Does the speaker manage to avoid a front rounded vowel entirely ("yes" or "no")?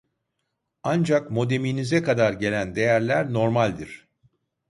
yes